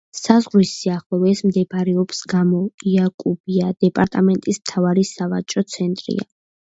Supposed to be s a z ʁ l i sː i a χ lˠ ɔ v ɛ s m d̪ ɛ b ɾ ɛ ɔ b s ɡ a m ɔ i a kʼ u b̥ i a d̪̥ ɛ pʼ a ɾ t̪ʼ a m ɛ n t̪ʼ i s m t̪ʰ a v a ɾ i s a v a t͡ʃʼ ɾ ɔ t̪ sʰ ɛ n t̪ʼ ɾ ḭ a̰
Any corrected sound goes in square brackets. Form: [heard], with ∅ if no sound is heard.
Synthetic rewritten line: s a z ʁ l i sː i a χ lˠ ɔ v ɛ s m d̪ ɛ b ɾ ɛ ɔ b s ɡ a m ɔ i a kʼ u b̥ i a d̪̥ ɛ pʼ a ɾ t̪ʼ a m ɛ n t̪ʼ i s m t̪ʰ a v a ɾ i s a v a t͡ʃʼ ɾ ɔ t̪ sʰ ɛ n t̪ʼ ɾ ḭ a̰